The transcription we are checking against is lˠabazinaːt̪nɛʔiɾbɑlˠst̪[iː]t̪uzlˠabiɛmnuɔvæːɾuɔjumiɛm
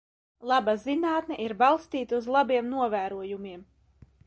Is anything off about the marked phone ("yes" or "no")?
no